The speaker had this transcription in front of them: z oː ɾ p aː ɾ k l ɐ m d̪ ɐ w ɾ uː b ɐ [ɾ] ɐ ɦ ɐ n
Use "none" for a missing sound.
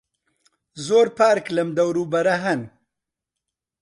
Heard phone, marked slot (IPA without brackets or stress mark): ɾ